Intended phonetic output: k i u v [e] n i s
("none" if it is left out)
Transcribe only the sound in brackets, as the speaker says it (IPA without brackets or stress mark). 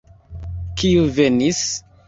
e